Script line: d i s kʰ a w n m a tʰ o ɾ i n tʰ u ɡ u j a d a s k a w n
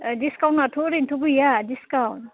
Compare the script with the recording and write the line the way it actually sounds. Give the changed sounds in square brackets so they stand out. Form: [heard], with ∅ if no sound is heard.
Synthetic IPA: d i s [k] a w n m a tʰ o ɾ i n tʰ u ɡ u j a d [i] s k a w n